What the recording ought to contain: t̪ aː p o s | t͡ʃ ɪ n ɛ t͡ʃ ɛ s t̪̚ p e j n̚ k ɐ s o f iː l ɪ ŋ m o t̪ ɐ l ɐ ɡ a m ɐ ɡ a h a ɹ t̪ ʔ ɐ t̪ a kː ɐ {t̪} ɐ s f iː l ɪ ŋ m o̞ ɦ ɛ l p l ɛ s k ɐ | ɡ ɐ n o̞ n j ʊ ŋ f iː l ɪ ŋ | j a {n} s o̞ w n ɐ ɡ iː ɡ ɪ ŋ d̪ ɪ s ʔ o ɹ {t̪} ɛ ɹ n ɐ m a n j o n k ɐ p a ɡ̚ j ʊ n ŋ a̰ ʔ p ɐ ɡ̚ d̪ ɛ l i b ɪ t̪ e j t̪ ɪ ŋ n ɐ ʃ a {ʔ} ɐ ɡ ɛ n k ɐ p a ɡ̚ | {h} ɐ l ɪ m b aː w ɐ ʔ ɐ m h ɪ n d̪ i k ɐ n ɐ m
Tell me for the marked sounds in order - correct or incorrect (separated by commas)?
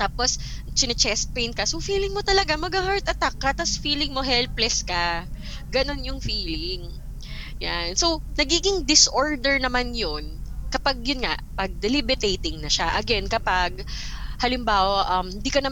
correct, correct, incorrect, correct, correct